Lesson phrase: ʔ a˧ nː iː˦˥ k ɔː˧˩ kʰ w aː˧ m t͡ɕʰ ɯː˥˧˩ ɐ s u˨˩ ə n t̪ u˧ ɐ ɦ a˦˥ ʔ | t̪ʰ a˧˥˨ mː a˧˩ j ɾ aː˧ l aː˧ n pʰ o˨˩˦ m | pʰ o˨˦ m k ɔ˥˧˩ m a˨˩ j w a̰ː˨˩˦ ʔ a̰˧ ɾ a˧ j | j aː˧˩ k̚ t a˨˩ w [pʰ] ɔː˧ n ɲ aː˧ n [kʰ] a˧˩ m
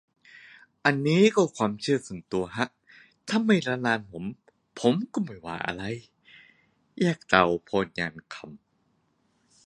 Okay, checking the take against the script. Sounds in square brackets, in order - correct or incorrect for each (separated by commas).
correct, correct